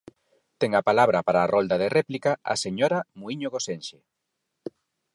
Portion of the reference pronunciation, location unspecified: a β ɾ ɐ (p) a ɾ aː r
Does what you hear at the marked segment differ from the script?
no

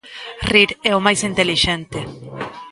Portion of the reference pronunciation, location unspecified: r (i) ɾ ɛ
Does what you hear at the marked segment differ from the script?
no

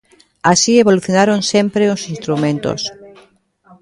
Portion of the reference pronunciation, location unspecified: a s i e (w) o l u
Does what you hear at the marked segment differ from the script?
yes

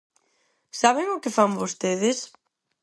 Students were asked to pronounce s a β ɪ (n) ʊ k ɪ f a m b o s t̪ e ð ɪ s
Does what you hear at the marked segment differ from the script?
yes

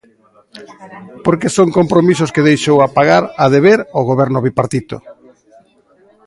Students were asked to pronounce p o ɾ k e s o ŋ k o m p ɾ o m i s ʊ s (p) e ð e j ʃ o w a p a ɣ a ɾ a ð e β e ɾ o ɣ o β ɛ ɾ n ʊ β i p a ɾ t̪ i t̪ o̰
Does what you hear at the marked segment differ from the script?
yes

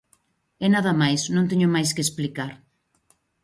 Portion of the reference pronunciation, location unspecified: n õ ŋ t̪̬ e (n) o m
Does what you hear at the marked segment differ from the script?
yes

